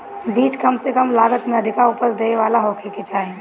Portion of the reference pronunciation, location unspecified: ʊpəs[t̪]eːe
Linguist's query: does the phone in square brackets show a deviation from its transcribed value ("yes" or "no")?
yes